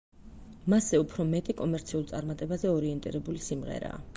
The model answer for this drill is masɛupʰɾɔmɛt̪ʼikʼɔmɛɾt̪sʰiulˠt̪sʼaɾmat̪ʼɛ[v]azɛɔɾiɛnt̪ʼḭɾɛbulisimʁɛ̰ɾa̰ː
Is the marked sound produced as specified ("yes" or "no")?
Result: no